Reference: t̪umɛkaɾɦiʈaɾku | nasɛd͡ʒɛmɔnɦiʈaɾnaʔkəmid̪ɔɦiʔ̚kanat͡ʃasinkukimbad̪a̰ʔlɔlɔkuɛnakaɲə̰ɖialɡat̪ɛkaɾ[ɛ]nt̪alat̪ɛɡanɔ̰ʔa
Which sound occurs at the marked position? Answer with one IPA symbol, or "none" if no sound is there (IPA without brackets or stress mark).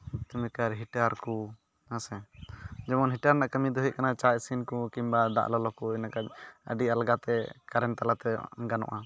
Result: ɛ